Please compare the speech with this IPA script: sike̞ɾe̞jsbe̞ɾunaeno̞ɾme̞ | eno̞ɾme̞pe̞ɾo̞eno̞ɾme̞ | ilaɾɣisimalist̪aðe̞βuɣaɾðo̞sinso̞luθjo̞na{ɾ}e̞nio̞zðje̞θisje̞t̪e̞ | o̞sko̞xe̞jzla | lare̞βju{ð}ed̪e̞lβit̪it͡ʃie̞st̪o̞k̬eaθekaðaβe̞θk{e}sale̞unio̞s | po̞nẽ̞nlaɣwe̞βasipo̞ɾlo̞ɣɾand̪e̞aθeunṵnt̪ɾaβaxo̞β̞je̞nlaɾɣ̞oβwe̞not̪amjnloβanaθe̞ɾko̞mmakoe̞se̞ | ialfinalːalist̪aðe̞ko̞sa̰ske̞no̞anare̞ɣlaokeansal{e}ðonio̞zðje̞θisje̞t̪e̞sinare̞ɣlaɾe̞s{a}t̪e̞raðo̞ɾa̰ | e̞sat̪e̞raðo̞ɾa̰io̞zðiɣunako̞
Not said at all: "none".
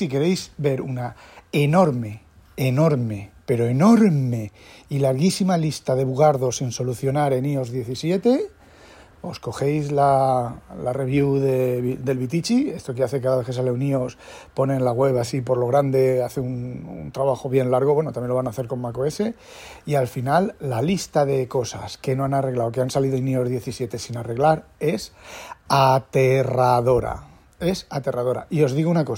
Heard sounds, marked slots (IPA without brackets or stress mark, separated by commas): ɾ, ð, e, i, a